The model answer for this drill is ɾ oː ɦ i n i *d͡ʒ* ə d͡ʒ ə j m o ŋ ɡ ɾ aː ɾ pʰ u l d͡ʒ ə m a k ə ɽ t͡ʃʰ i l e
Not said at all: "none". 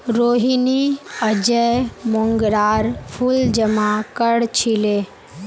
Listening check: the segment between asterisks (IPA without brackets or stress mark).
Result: none